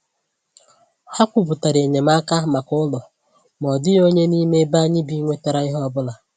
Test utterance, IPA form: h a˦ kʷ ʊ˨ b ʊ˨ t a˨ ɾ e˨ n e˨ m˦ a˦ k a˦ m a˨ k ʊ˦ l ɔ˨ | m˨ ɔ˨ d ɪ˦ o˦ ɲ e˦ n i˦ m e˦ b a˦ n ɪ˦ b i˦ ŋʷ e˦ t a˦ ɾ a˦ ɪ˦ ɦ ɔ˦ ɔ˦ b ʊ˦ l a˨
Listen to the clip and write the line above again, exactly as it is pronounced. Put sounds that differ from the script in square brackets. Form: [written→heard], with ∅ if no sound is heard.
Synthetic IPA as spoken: h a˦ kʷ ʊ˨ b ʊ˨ t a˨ ɾ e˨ [n→ɲ] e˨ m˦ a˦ k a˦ m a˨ k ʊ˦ l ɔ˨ | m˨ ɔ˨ d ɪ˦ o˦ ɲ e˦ n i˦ m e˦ b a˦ [n→ɲ] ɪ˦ b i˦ ŋʷ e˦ t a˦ ɾ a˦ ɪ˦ ɦ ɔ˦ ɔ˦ b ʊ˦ l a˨